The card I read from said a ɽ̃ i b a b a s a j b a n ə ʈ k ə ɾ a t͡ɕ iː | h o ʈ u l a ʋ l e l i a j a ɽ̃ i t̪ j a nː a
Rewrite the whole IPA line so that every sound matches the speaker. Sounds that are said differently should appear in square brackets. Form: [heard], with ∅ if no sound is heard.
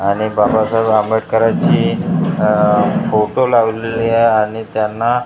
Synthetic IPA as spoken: a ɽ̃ i b a b a s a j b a [m] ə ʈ k ə ɾ a t͡ɕ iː | [f] o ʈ [o] l a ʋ l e l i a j a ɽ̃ i t̪ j a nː a